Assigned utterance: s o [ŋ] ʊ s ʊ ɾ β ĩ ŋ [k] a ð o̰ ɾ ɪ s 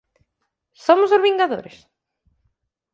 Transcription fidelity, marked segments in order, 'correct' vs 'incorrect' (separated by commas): incorrect, incorrect